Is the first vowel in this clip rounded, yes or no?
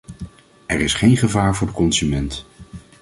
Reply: no